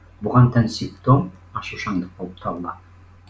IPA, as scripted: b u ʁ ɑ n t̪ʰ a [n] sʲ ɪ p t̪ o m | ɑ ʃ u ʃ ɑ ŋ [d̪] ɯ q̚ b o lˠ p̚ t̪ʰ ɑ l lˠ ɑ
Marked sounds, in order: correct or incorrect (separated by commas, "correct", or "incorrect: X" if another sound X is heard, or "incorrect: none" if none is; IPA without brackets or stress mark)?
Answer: correct, correct